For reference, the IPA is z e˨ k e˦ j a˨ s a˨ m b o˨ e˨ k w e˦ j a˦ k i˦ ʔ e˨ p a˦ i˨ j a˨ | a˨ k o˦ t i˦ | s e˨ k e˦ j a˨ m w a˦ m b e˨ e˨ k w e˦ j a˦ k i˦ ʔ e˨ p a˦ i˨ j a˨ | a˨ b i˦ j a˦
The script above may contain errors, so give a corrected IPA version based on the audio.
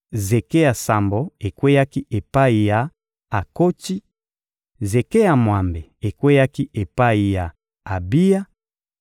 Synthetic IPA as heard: z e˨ k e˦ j a˨ s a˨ m b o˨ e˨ k w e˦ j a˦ k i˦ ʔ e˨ p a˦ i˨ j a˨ | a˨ k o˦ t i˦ | z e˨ k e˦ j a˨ m w a˨ m b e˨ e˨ k w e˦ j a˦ k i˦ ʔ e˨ p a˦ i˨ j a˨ | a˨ b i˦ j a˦